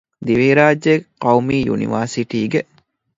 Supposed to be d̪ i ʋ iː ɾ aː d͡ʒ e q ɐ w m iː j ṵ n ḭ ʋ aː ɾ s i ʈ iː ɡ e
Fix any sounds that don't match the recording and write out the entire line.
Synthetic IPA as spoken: d̪ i ʋ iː ɾ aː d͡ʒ e q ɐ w m iː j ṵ n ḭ ʋ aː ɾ s i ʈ iː ɡ e